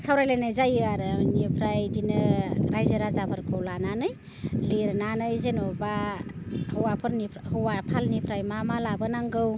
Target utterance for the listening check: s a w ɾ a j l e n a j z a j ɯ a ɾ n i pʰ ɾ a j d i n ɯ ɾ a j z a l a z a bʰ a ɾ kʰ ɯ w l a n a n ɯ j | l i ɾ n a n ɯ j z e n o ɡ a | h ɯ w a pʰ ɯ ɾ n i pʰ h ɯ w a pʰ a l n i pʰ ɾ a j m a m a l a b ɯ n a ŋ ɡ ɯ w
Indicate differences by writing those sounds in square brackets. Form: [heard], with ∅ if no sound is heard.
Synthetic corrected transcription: s a w ɾ a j l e n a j z a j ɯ a ɾ n i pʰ ɾ a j d i n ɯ ɾ a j z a [ɾ] a z a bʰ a ɾ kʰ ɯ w l a n a n ɯ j | l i ɾ n a n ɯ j z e n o [b] a | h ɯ w a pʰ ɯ ɾ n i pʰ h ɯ w a pʰ a l n i pʰ ɾ a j m a m a l a b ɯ n a ŋ ɡ ɯ w